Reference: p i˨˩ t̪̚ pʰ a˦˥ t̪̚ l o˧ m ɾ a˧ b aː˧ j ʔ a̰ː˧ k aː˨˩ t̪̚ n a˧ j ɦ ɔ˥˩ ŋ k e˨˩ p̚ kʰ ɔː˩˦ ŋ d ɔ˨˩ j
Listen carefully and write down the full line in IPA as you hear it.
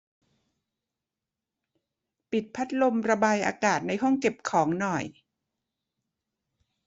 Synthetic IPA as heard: p i˨˩ t̪̚ pʰ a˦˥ t̪̚ l o˧ m ɾ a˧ b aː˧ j ʔ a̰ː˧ k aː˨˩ t̪̚ n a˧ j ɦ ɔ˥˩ ŋ k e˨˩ p̚ kʰ ɔː˩˦ ŋ n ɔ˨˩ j